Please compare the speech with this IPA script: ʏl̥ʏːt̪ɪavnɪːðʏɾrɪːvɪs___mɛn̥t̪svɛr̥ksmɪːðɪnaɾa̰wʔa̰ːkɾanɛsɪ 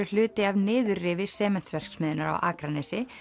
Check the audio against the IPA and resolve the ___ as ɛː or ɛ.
ɛː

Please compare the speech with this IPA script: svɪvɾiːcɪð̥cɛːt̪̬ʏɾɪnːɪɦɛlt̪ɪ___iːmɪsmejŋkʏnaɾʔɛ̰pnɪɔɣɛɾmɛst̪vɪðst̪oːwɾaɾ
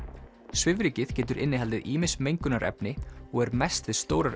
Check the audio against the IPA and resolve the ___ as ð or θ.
ð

